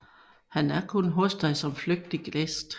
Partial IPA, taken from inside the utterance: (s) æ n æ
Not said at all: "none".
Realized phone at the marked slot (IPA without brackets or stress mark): h